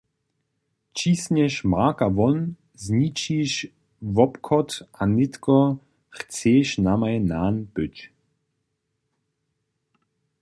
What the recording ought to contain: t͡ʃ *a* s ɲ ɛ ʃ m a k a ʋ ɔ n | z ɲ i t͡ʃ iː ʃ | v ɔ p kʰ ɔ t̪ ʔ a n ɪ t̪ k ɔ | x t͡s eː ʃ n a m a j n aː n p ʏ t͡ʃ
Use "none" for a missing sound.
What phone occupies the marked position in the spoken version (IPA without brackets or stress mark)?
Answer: i